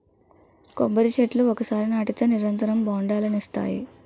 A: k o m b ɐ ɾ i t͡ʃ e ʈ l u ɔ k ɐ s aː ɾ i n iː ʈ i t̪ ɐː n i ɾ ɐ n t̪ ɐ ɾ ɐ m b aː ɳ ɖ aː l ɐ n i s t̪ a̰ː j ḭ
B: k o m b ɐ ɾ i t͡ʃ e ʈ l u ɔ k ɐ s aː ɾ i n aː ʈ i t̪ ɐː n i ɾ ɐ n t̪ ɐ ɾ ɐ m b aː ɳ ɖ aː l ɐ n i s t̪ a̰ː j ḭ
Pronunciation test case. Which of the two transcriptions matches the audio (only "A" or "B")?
B